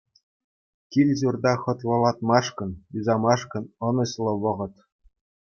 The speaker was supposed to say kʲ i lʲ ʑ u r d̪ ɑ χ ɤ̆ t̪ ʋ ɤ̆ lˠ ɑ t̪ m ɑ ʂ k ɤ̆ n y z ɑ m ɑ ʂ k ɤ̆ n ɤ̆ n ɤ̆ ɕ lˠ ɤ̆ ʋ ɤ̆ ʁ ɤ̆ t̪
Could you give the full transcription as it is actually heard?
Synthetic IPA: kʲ i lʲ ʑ u r d̪ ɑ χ ɤ̆ t̪ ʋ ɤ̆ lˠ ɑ t̪ m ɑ ʂ k ɤ̆ n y z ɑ m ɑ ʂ k ɤ̆ n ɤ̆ n ɤ̆ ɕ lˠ ɤ̆ ʋ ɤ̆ ʁ ɤ̆ t̪